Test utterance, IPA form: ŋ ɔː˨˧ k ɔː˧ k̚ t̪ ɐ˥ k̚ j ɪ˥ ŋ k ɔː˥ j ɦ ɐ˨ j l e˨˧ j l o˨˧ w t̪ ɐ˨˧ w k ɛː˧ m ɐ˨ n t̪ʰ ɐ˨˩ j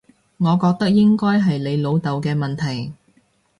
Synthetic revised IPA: ŋ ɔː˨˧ k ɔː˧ k̚ t̪ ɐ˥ k̚ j ɪ˥ ŋ k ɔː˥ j ɦ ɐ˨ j l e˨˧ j l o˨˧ w t̪ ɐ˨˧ w k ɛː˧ m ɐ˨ n t̪ʰ ɐ˨˩ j